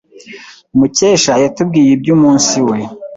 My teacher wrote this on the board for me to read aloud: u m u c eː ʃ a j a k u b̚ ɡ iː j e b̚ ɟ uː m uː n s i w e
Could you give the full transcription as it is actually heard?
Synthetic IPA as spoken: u m u c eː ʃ a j a t u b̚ ɡ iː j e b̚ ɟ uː m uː n s i w e